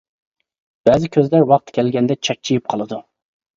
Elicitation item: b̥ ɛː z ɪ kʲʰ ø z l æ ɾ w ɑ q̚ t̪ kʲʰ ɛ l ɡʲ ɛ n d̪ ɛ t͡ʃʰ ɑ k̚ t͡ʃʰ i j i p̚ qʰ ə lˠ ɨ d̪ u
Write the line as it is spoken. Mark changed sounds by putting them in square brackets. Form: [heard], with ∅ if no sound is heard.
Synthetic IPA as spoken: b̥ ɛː z ɪ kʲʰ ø z l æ ɾ w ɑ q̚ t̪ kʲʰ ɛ l ɡʲ ɛ n d̪ ɛ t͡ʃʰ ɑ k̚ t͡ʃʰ i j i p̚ qʰ [ɑ] lˠ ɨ d̪ u